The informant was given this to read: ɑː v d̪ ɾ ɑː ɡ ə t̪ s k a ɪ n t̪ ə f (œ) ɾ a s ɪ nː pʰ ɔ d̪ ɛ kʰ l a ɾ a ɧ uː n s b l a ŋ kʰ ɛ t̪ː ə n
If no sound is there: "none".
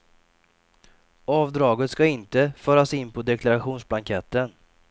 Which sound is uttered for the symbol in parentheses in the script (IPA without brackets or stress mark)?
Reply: œː